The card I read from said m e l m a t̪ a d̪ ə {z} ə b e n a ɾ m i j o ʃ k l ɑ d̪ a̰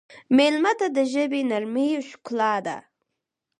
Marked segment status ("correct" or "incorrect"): incorrect